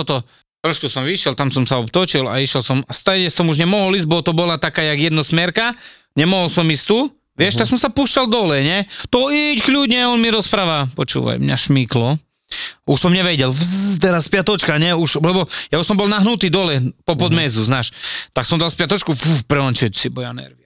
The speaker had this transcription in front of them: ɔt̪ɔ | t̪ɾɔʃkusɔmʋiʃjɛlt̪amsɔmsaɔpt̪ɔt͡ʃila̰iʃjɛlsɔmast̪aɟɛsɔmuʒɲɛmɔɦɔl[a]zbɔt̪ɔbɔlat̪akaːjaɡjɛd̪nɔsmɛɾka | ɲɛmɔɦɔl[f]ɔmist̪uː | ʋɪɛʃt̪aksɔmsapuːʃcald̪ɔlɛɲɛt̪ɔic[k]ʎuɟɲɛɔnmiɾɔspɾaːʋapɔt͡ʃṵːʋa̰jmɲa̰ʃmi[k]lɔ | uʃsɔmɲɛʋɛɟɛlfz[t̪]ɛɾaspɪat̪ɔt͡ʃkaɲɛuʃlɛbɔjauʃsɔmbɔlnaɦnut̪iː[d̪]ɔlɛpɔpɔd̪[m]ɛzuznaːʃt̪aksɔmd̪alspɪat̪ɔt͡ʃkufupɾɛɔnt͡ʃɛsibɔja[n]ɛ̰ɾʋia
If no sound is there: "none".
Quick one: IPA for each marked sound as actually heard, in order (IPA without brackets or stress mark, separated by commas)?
i, s, k, k, t̪, d̪, m, n